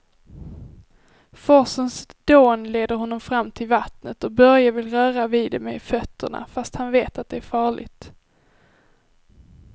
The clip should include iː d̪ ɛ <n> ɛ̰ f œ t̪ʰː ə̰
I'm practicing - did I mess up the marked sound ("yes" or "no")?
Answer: yes